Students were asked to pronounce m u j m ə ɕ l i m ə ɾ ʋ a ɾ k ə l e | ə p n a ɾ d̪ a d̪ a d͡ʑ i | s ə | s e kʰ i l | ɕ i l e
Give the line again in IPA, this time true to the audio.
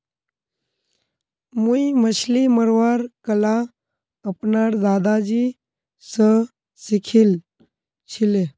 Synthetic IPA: m u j m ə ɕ l i m ə ɾ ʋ a ɾ k ə l a | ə p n a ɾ d̪ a d̪ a d͡ʑ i | s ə | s i kʰ i l | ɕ i l e